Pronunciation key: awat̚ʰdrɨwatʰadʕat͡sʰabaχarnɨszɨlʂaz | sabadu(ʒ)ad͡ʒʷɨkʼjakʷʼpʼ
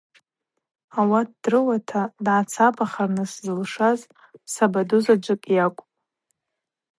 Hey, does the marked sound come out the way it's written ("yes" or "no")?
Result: no